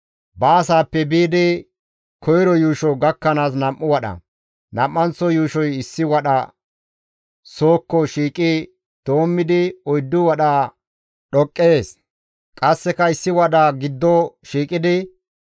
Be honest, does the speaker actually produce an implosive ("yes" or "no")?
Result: yes